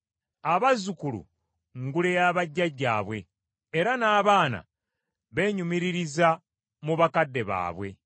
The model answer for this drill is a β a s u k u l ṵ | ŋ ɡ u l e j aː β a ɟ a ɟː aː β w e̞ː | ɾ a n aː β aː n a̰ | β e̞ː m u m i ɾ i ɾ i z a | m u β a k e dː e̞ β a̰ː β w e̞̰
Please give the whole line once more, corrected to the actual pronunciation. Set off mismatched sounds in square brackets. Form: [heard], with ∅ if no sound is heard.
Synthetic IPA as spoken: a β a [z] u k u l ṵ | ŋ ɡ u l e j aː β a [ɟː] a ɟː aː β w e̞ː | ɾ a n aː β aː n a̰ | β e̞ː [ɲ] u m i ɾ i ɾ i z a | m u β a k [a] dː e̞ β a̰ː β w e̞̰